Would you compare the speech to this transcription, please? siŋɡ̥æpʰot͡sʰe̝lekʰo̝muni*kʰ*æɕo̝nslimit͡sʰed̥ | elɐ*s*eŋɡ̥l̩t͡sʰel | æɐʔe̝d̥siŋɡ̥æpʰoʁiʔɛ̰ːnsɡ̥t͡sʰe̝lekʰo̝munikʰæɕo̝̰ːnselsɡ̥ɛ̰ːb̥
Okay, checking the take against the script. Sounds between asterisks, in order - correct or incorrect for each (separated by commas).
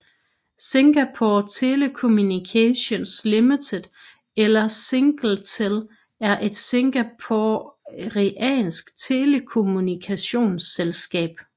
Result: correct, correct